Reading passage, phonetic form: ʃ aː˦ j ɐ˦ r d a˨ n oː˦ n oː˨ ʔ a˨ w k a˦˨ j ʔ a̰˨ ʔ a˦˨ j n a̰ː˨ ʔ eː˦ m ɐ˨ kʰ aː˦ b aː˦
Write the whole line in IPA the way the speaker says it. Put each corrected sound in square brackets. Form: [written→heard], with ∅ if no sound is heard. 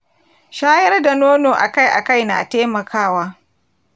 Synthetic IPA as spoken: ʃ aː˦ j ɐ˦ r d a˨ n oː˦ n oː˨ ʔ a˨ [w→∅] k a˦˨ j ʔ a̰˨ [ʔ→k] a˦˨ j n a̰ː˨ [ʔ→t] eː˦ m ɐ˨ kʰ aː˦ [b→w] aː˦